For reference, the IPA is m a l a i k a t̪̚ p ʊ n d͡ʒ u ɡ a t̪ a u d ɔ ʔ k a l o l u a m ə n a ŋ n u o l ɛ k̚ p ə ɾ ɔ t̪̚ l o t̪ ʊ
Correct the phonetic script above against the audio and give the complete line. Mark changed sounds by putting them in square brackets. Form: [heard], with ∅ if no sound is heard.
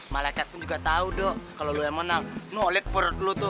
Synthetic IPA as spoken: m a l a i k a t̪̚ p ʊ n d͡ʒ u ɡ a t̪ a u d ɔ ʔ k a l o l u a m ə n a ŋ n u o l ɛ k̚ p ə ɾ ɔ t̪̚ l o t̪ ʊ

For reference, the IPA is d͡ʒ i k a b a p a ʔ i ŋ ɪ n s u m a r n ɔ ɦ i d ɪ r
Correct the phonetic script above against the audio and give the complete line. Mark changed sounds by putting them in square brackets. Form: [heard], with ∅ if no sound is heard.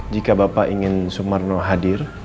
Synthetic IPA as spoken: d͡ʒ i k a b a p a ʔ i ŋ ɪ n s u m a r n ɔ ɦ [a] d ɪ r

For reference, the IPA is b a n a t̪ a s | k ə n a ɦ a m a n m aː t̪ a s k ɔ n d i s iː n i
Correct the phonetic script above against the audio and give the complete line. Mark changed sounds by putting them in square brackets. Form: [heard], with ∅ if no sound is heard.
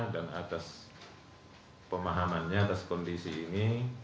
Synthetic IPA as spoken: [d] a n a t̪ a s | [p] ə [m] a ɦ a m a n [ɲ] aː t̪ a s k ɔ n d i s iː n i

